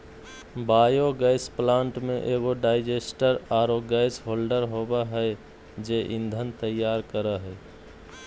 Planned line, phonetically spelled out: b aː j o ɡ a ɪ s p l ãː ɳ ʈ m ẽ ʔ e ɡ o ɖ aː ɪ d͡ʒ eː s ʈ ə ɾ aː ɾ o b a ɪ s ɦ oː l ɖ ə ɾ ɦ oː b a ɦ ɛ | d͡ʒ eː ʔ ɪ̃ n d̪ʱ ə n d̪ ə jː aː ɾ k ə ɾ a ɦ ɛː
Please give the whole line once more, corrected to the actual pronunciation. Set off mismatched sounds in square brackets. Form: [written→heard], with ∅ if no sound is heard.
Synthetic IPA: b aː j o ɡ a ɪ s p l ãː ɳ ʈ m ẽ ʔ e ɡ o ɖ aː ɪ d͡ʒ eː s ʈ ə ɾ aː ɾ o [b→ɡ] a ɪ s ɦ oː l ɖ ə ɾ ɦ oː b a ɦ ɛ | d͡ʒ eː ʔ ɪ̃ n d̪ʱ ə n [d̪→t̪] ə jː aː ɾ k ə ɾ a ɦ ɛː

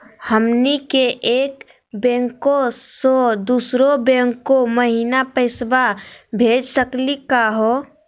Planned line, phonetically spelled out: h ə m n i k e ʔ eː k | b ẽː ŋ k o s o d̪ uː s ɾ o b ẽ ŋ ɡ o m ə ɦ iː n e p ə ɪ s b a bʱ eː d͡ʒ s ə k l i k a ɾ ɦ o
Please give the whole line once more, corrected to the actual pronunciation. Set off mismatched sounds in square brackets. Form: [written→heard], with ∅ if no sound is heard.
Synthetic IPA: h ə m n i k e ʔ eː k | b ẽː ŋ k o s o d̪ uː s ɾ o b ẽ ŋ [ɡ→k] o m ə ɦ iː n [e→a] p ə ɪ s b a bʱ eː d͡ʒ s ə k l i k a [ɾ→∅] ɦ o

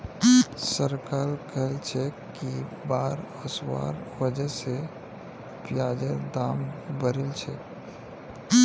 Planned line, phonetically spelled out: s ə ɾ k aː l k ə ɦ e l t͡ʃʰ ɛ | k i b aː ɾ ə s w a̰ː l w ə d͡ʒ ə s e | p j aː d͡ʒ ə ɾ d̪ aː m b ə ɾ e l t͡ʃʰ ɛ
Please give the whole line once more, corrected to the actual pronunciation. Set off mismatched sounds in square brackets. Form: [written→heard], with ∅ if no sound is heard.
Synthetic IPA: s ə ɾ k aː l k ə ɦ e l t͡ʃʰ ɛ | k i b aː ɾ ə s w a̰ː [l→ɾ] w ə d͡ʒ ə s e | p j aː d͡ʒ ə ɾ d̪ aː m b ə ɾ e l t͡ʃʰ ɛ

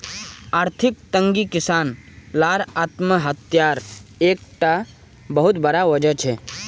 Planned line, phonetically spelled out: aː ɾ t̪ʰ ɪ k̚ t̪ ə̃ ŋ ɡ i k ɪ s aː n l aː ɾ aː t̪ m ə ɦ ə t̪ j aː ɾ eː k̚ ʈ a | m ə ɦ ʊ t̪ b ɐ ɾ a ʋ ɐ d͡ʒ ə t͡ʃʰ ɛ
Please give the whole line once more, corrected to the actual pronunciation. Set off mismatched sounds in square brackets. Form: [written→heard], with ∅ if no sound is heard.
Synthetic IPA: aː ɾ t̪ʰ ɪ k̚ t̪ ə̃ ŋ ɡ i k ɪ s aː n l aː ɾ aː t̪ m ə ɦ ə t̪ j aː ɾ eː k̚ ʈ a | [m→b] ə ɦ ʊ t̪ b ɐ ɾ a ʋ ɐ d͡ʒ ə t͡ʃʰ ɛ

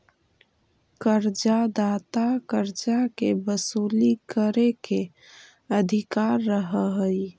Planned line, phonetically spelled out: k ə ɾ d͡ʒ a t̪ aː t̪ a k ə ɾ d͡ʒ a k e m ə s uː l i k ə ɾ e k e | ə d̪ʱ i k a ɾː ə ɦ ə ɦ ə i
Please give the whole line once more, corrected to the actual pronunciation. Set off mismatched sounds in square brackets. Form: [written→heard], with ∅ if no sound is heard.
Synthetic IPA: k ə ɾ d͡ʒ a [t̪→d̪] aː t̪ a k ə ɾ d͡ʒ a k e [m→b] ə s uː l i k ə ɾ e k e | ə d̪ʱ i k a ɾː ə ɦ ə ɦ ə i

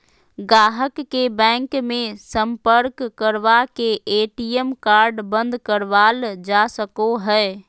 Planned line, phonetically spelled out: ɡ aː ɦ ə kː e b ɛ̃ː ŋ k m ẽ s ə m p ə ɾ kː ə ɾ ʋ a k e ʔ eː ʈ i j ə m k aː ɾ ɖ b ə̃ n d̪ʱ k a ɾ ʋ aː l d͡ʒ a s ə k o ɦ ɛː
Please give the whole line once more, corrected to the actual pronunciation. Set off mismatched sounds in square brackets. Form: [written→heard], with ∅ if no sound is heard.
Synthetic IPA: ɡ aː ɦ ə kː e b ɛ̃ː ŋ k m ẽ s ə m p ə ɾ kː ə ɾ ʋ a k e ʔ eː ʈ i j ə m k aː ɾ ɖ b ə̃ n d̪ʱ k [a→ə] ɾ ʋ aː l d͡ʒ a s ə k o ɦ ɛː

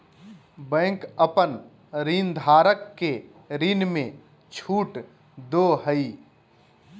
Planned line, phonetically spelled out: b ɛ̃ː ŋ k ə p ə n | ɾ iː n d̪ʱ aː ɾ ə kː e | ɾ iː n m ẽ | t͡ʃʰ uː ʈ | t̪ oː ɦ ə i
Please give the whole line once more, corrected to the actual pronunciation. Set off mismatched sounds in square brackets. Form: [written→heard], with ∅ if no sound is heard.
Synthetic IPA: b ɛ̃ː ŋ k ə p ə n | ɾ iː n d̪ʱ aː ɾ ə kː e | ɾ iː n m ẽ | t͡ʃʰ uː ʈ | [t̪→d̪] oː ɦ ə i

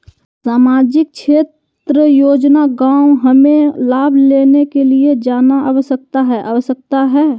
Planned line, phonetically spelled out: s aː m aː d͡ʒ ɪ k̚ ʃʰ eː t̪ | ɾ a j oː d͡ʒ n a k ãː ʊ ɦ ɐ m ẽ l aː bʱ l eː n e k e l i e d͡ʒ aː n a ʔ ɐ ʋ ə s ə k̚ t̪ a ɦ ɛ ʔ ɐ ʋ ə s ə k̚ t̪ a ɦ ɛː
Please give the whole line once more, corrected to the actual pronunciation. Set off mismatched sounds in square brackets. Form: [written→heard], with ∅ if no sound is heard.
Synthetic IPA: s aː m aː d͡ʒ ɪ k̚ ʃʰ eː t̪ | ɾ [a→ə] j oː d͡ʒ n a [k→ɡ] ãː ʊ ɦ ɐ m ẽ l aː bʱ l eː n e k e l i e d͡ʒ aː n a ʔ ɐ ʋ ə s ə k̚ t̪ a ɦ ɛ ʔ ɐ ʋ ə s ə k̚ t̪ a ɦ ɛː

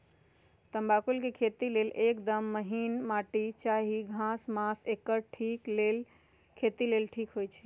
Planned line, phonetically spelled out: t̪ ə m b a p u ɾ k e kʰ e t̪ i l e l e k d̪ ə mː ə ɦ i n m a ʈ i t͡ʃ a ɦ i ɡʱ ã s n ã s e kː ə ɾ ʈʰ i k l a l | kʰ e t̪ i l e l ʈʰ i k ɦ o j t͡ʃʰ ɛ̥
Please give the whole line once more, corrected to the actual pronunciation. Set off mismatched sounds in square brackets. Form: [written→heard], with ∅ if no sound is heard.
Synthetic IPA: t̪ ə m b a [p→k] u [ɾ→l] k e kʰ e t̪ i l e l e k d̪ ə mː ə ɦ i n m a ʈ i t͡ʃ a ɦ i ɡʱ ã s [n→m] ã s e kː ə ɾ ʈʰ i k l [a→e] l | kʰ e t̪ i l e l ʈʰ i k ɦ o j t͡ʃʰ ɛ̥

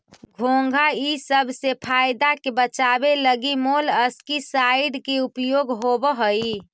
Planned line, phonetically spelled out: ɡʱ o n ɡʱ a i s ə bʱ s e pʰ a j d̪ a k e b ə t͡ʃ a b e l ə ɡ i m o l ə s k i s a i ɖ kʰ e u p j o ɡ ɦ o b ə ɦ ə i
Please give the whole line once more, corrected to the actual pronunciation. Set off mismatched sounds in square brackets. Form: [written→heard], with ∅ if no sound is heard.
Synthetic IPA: ɡʱ o [n→ŋ] ɡʱ a i s ə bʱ s e pʰ a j d̪ a k e b ə t͡ʃ a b e l ə ɡ i m o l ə s k i s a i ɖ [kʰ→k] e u p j o ɡ ɦ o b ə ɦ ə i

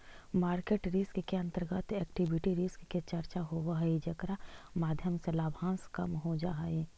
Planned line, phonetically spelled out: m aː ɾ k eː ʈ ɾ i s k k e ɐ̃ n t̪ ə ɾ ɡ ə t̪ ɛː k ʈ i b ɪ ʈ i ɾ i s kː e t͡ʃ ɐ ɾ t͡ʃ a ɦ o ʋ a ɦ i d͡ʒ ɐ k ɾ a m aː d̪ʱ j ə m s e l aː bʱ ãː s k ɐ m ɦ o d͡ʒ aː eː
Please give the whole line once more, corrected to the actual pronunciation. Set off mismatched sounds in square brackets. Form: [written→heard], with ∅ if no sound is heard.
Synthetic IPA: m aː ɾ k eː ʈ ɾ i s k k e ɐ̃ n t̪ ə ɾ ɡ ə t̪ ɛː k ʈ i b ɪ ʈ i ɾ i s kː e t͡ʃ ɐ ɾ t͡ʃ a ɦ o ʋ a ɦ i d͡ʒ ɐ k ɾ a m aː d̪ʱ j ə m s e l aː bʱ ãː s k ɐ m ɦ o d͡ʒ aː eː

